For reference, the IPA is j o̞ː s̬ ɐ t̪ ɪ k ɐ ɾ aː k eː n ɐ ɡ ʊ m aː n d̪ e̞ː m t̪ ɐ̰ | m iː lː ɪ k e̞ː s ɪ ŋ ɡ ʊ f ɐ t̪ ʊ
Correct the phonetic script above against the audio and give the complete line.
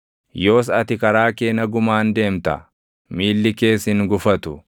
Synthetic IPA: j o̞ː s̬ ɐ t̪ ɪ k ɐ ɾ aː k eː n ɐ ɡ ʊ m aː n d̪ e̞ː m t̪ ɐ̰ | m iː lː ɪ k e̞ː s ɪ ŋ ɡ ʊ f ɐ t̪ ʊ